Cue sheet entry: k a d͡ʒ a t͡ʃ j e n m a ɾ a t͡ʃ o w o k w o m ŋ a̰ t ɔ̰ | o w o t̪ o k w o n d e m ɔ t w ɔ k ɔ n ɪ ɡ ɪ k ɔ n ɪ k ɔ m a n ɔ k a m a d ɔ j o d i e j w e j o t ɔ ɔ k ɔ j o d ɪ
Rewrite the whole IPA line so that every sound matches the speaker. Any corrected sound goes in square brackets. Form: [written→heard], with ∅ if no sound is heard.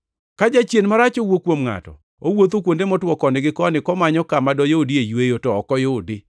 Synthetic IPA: k a d͡ʒ a t͡ʃ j e n m a ɾ a t͡ʃ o w o k w o m ŋ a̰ t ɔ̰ | o w o t̪ o k w o n d e m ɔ t w ɔ k ɔ n ɪ ɡ ɪ k ɔ n ɪ k ɔ m a [n→ɲ] ɔ k a m a d ɔ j o d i e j w e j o t ɔ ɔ k ɔ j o d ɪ